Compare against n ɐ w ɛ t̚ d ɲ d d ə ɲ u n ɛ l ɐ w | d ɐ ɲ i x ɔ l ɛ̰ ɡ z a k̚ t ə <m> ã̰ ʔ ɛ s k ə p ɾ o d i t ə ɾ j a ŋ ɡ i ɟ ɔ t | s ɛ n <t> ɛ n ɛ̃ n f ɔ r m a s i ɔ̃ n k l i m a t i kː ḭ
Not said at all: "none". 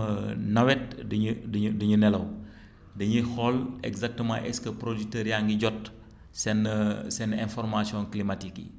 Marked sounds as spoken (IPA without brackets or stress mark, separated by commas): m, s